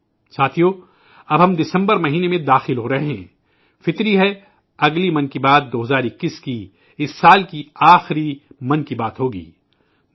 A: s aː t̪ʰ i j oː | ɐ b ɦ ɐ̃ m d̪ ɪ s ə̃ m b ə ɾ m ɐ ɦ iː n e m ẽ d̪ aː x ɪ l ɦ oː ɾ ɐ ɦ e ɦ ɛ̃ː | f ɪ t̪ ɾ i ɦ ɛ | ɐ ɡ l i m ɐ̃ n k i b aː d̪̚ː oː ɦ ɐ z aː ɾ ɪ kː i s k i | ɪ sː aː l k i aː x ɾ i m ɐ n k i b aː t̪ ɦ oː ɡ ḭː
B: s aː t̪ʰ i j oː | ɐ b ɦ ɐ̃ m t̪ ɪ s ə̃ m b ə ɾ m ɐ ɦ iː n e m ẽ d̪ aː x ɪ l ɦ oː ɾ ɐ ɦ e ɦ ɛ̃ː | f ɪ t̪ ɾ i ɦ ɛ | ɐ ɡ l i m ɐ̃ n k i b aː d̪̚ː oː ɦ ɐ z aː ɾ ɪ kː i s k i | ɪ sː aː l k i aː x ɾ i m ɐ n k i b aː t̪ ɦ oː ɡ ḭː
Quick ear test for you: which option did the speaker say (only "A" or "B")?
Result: A